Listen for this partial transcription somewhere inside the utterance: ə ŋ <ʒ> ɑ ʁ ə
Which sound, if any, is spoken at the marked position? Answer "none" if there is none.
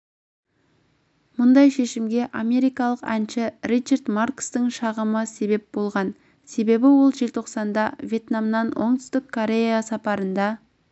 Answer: ʃ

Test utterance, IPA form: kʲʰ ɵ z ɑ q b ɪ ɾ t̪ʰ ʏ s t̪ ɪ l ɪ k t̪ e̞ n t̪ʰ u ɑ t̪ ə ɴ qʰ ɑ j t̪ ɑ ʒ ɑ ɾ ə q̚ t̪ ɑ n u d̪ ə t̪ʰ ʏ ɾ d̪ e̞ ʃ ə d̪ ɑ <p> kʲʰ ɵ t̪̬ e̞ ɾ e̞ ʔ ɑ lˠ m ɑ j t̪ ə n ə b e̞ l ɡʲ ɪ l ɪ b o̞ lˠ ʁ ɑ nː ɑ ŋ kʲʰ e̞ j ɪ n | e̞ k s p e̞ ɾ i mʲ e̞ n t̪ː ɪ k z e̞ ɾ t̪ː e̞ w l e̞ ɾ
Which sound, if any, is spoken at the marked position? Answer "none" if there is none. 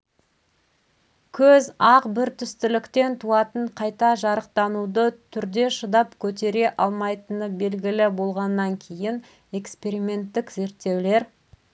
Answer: p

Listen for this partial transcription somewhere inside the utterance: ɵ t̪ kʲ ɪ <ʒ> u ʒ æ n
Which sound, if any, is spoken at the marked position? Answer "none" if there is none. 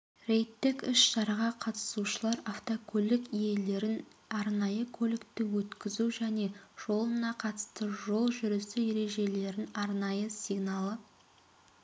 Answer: z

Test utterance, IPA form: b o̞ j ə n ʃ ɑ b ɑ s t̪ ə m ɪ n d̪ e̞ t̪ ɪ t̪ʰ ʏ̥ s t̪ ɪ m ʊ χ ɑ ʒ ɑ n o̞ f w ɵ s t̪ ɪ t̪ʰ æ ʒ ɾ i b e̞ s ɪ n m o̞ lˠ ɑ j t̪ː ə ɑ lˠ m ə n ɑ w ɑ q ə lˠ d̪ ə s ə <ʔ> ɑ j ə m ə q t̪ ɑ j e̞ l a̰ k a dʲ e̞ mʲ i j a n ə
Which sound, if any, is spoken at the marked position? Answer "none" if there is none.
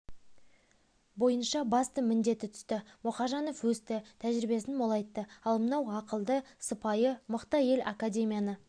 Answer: p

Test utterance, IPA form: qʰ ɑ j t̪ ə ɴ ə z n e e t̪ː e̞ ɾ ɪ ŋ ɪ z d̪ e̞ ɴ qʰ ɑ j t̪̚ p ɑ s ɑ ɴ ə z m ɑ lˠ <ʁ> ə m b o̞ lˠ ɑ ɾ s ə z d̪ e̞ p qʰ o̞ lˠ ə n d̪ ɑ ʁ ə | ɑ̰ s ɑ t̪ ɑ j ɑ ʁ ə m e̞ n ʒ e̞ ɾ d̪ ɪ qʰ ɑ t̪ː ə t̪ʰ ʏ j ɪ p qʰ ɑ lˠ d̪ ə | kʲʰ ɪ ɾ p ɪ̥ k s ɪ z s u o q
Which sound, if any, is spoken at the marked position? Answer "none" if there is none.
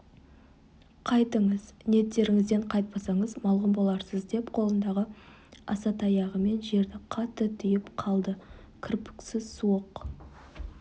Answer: ʁ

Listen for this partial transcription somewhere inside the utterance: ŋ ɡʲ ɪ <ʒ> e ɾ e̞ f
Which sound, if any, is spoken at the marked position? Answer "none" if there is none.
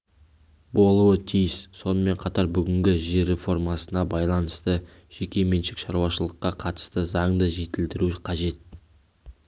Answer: ʒ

